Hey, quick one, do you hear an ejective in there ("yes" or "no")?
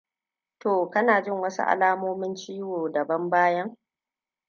no